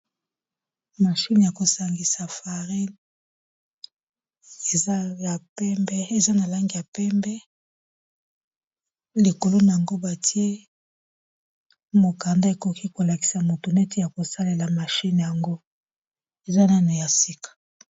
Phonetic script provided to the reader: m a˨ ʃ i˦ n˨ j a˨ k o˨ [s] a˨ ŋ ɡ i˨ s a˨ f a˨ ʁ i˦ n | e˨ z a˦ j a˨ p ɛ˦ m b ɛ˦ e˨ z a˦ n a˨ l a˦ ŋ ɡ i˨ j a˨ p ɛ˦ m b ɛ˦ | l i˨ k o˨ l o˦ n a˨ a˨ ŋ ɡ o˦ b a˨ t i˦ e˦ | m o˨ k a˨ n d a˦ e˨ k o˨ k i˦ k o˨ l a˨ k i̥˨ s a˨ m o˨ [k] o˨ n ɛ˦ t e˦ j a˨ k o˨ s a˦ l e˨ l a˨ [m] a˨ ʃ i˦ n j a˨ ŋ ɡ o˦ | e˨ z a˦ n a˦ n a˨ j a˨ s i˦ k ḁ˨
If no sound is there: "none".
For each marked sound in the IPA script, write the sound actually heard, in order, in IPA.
s, t, m

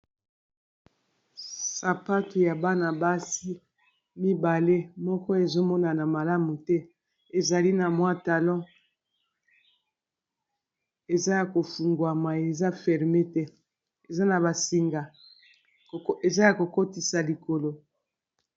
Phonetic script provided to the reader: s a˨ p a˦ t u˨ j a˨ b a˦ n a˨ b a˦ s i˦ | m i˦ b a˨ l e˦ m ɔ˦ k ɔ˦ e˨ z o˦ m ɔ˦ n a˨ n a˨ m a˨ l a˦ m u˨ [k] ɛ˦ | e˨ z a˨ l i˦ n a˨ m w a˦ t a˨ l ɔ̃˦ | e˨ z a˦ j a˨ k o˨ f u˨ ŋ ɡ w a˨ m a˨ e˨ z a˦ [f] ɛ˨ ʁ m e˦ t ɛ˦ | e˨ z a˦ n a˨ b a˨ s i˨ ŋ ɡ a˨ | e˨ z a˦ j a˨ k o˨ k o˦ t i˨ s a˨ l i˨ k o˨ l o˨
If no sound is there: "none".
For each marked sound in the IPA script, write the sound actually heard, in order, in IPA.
t, f

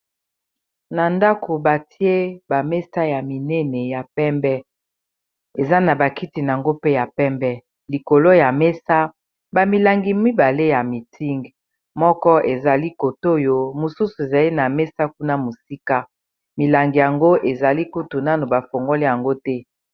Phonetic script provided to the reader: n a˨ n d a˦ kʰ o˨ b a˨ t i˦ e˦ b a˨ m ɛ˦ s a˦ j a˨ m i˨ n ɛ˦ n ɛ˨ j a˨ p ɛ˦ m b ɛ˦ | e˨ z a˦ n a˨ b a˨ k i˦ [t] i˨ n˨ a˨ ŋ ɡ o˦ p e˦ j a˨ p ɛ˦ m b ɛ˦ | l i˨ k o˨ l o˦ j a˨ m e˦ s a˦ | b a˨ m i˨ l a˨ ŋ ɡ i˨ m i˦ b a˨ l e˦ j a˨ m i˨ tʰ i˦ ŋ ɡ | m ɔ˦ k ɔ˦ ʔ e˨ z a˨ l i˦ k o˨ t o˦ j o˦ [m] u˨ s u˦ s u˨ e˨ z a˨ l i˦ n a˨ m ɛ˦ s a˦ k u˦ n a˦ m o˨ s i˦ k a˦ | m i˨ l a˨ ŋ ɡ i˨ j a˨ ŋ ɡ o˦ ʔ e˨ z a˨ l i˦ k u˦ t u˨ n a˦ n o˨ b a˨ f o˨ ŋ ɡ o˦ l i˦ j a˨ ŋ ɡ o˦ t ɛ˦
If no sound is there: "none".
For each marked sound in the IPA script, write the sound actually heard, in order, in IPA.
t, m

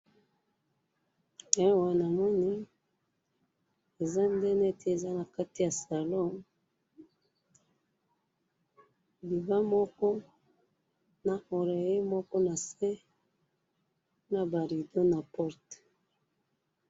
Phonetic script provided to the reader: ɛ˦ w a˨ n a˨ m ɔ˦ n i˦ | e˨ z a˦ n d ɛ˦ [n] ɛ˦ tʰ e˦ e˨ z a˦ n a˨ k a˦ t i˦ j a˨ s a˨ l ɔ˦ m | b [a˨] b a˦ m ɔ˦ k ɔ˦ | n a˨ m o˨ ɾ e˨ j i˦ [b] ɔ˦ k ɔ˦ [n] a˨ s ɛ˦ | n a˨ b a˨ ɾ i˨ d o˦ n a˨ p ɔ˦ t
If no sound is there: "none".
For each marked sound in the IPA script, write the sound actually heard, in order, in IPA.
n, i˨, m, n

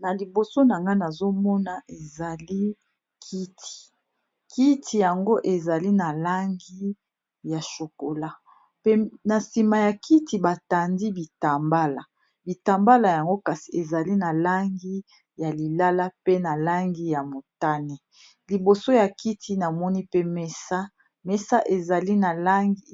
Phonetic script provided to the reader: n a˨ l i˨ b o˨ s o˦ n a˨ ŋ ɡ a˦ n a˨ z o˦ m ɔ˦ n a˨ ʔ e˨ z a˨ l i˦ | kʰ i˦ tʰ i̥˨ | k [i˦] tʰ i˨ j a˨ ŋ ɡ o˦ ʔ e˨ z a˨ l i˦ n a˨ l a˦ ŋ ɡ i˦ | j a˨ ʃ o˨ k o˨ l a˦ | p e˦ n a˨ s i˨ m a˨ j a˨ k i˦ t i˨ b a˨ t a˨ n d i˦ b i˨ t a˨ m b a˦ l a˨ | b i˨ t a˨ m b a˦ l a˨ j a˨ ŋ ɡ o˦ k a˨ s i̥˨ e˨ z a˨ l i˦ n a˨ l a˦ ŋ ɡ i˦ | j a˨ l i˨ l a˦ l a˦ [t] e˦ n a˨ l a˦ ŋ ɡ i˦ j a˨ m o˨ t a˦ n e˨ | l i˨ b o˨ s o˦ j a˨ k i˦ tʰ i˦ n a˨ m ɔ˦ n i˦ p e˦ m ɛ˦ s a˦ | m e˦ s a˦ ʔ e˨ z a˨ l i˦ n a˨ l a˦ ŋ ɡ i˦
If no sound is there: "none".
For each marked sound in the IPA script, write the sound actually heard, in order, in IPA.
i˦, p

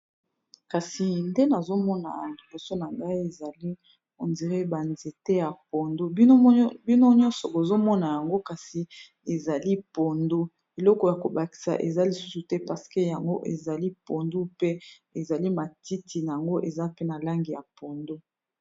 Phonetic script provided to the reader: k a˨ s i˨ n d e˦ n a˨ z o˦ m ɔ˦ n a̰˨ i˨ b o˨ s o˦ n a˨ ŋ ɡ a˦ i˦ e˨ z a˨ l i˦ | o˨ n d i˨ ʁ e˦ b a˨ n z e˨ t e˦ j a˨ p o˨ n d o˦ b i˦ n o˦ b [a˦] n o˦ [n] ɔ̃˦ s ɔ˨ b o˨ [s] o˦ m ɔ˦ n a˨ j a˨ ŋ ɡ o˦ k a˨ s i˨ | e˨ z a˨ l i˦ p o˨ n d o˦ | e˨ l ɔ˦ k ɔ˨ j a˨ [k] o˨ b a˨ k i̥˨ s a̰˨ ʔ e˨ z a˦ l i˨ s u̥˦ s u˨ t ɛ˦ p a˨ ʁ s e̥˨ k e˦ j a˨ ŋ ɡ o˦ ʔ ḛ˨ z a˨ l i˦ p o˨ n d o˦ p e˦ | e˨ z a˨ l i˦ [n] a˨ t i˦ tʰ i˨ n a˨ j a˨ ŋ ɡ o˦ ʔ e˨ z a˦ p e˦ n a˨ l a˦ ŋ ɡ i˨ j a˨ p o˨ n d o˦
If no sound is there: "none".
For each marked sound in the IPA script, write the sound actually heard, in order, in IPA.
i˦, ɲ, z, k, m

